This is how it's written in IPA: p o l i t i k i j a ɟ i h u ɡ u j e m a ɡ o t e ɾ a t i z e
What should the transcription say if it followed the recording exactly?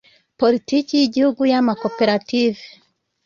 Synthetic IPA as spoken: p o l i t i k i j i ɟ i h u ɡ u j a m a k o p e ɾ a t i v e

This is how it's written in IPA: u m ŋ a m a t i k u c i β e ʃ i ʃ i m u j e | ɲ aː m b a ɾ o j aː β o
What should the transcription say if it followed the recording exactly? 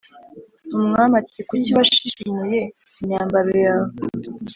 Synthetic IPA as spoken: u m ŋ a m a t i k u c i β a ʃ i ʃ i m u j e | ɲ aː m b a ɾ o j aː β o

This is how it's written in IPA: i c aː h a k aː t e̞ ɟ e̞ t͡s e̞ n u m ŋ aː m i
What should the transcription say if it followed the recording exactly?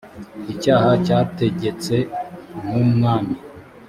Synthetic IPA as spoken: i c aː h a c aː t e̞ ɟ e̞ t͡s e̞ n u m ŋ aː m i

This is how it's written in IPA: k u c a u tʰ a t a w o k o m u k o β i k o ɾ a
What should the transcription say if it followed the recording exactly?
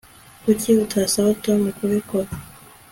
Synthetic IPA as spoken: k u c i u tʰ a s a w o t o m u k u β i k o ɾ a

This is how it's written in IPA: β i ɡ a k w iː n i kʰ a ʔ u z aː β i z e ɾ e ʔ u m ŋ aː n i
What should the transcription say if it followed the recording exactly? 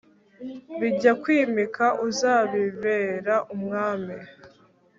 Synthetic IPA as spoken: β i ɟ a k w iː m i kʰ a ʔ u z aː β i v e ɾ a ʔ u m ŋ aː m i

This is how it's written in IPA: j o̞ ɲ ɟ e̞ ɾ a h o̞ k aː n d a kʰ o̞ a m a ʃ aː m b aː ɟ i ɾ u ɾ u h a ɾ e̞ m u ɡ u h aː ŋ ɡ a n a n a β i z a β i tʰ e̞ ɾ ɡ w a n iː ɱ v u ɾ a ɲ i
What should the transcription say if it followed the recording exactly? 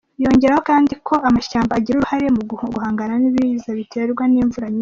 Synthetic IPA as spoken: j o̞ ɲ ɟ e̞ ɾ a h o̞ k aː n d i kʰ o̞ a m a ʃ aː m b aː ɟ i ɾ u ɾ u h a ɾ e̞ m u ɡ u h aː ŋ ɡ a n a n i β i z a β i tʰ e̞ ɾ ɡ w a n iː ɱ v u ɾ a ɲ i

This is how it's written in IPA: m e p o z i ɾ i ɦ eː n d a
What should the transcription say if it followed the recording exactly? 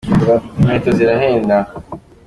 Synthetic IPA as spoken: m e t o z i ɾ a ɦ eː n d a

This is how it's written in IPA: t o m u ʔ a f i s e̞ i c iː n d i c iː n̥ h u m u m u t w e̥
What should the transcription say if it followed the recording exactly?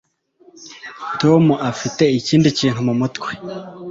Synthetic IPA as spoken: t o m u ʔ a f i t e̞ i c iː n d i c iː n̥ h u m u m u t w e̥

